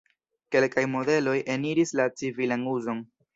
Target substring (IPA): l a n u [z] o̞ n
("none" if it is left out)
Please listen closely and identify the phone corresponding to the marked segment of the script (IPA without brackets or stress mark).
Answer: z